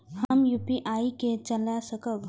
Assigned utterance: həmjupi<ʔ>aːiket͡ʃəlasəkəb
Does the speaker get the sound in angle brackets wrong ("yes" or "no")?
no